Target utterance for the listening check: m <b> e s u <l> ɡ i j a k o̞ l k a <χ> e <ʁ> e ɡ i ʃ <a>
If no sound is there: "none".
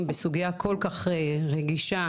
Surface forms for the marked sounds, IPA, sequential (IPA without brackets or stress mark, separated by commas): b, none, χ, ʁ, a